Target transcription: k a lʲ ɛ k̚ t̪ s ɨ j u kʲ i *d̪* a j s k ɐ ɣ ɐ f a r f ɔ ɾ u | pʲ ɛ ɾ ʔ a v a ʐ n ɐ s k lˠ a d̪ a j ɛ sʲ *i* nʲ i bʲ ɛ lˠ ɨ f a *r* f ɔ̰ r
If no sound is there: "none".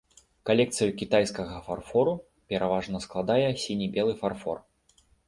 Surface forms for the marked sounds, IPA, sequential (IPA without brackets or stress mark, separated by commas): t̪, i, r